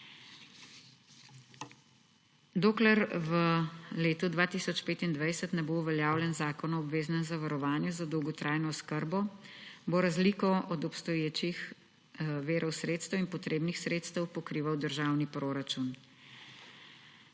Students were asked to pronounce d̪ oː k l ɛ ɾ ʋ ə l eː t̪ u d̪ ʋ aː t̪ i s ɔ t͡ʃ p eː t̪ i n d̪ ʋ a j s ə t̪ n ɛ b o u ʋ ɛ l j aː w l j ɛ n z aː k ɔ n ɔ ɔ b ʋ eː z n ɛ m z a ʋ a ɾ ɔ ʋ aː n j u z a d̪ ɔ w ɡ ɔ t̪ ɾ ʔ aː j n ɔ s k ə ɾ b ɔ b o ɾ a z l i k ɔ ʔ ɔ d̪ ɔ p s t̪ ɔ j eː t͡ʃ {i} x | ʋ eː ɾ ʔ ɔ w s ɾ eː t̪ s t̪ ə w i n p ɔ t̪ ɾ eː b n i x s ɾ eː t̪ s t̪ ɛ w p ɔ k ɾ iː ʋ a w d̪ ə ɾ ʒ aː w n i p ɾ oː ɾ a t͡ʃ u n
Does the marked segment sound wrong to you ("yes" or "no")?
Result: no